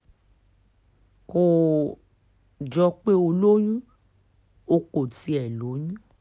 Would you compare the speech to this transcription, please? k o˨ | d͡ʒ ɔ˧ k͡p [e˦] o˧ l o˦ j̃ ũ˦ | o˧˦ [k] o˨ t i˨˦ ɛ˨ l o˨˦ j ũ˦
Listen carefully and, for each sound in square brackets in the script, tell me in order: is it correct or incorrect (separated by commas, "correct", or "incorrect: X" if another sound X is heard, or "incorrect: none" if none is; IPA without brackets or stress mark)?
correct, correct